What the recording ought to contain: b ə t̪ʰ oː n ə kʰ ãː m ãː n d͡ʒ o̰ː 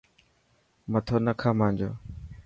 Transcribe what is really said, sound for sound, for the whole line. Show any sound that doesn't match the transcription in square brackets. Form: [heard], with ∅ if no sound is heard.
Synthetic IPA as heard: [m] ə t̪ʰ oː n ə kʰ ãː m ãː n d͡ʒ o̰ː